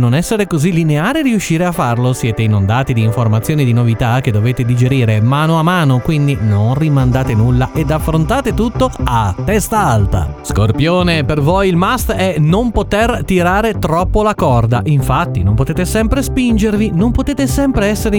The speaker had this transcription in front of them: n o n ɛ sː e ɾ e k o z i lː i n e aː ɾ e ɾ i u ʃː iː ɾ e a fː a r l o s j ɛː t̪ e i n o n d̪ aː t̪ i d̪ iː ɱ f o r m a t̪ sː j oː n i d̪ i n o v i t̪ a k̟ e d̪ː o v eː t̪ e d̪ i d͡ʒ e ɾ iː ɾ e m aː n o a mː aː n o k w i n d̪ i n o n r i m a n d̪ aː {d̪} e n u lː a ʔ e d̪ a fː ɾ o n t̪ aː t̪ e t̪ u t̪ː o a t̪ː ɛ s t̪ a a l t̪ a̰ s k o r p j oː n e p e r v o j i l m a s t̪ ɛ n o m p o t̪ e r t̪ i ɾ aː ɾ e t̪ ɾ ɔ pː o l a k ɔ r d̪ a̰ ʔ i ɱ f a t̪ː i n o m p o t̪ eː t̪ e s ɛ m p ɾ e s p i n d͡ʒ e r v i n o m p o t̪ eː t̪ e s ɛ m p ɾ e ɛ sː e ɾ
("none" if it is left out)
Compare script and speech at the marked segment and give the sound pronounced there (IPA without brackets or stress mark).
t̪